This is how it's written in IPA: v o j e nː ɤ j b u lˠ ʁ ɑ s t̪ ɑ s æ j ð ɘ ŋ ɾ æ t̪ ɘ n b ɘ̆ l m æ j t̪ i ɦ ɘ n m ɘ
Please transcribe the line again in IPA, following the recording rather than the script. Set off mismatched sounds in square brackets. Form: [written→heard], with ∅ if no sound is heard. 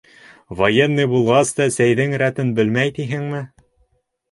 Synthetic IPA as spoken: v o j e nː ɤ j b u lˠ ʁ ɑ s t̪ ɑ s æ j ð ɘ ŋ ɾ æ t̪ ɘ n b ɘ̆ l m æ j t̪ i ɦ ɘ [n→ŋ] m ɘ